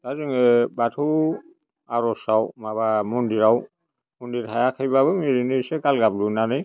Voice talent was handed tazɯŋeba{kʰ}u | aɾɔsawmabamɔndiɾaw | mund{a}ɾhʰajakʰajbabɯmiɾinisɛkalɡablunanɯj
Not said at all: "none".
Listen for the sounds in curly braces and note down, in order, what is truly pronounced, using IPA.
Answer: tʰ, i

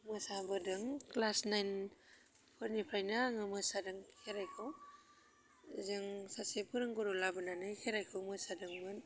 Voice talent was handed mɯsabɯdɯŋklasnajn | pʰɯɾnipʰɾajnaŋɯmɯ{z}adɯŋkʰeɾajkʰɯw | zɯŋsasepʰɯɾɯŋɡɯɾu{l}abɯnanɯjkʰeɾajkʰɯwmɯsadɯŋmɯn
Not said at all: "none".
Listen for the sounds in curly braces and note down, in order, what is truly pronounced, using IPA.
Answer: s, l

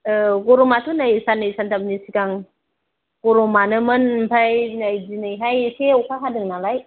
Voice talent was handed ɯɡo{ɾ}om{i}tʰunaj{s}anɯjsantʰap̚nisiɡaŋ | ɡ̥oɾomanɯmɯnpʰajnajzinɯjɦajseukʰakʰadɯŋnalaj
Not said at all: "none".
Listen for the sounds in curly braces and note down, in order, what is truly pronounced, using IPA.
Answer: ɾ, a, s

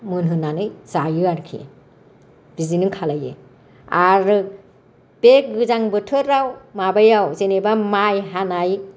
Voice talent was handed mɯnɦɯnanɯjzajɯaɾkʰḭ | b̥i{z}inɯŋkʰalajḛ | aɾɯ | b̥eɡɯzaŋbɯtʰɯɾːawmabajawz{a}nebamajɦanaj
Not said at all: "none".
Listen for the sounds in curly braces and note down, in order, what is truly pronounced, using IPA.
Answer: z, e

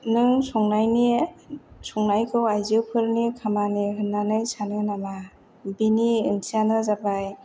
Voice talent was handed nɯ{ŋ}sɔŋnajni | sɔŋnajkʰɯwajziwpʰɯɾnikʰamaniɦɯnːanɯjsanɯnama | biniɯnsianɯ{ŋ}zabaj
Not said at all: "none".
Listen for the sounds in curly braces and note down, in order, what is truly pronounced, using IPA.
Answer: ŋ, none

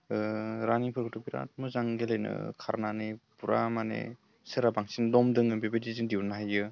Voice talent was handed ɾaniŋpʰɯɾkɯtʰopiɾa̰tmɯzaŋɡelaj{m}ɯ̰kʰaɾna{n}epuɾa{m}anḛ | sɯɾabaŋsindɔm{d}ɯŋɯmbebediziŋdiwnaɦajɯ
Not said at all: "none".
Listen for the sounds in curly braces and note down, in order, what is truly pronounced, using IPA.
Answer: n, n, m, d

